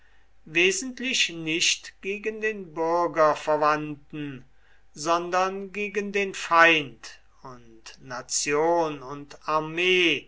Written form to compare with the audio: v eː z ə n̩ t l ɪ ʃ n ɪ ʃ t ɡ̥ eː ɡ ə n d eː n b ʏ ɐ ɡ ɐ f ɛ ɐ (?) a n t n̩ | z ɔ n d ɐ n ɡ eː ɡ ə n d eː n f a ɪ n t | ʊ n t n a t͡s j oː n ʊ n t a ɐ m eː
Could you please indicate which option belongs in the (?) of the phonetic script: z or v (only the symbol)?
v